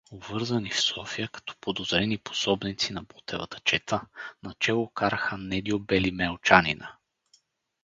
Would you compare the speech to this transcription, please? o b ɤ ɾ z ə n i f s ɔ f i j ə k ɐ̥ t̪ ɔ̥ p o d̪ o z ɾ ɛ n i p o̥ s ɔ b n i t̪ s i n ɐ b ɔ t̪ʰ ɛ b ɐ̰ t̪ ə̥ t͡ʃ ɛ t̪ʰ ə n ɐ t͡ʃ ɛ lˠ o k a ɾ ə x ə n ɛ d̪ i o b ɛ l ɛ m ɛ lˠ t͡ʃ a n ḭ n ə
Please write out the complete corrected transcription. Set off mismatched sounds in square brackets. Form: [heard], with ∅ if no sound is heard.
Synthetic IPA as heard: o [v] ɤ ɾ z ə n i f s ɔ f i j ə k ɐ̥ t̪ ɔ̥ p o d̪ o z ɾ ɛ n i p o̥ s ɔ b n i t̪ s i n ɐ b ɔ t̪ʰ ɛ [v] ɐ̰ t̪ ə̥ t͡ʃ ɛ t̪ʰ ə n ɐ t͡ʃ ɛ lˠ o k a ɾ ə x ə n ɛ d̪ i o b ɛ l [i] m ɛ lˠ t͡ʃ a n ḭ n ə